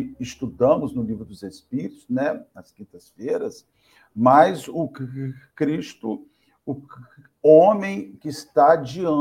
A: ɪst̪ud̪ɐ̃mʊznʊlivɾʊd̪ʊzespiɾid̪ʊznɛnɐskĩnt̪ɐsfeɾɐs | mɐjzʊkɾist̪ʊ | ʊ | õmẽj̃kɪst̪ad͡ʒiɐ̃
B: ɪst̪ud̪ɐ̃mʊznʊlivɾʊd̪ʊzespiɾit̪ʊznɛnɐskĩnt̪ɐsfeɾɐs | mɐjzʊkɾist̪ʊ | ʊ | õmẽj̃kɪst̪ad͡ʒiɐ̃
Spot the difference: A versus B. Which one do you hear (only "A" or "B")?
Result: B